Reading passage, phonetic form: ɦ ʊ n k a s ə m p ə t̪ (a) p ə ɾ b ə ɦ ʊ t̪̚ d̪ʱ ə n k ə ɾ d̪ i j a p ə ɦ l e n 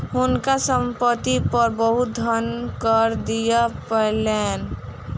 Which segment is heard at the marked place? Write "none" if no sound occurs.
i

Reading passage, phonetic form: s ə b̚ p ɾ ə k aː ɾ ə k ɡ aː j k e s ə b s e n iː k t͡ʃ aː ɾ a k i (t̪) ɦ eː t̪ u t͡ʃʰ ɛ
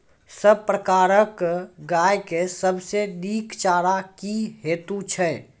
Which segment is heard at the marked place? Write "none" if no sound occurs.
none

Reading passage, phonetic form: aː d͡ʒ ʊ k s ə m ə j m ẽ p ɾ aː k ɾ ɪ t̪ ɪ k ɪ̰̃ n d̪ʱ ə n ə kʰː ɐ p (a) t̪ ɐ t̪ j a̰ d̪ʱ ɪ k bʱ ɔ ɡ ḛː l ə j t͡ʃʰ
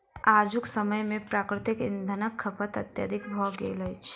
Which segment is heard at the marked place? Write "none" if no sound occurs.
ə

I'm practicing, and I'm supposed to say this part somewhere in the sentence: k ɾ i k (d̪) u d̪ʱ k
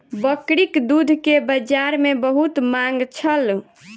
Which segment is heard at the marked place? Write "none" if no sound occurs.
d̪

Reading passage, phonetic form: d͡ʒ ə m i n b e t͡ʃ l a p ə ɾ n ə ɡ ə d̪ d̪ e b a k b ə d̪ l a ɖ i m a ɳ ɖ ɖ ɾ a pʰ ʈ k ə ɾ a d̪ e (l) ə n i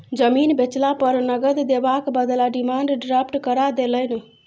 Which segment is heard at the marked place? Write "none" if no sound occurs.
l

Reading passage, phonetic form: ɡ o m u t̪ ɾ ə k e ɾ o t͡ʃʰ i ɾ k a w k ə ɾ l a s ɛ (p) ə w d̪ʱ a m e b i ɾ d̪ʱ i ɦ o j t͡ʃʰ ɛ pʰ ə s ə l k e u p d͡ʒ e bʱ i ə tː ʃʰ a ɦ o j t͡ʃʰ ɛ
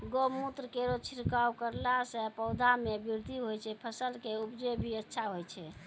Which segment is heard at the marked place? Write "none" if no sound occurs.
p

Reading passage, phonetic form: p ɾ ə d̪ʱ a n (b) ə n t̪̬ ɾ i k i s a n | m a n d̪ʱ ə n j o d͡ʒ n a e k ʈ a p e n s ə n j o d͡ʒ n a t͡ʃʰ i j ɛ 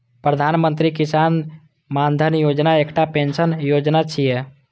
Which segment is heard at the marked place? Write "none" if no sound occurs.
m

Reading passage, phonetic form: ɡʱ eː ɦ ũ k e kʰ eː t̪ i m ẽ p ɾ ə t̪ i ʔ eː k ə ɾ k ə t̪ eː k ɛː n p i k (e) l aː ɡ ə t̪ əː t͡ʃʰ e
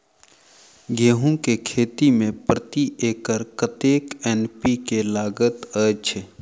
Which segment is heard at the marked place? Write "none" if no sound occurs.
e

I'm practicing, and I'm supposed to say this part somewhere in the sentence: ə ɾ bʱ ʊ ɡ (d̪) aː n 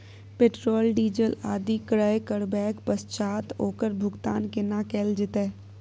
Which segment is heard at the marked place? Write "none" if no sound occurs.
t̪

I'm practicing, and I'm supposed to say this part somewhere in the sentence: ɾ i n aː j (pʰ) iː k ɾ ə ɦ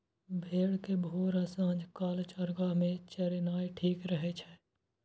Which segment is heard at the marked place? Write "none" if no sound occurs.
ʈʰ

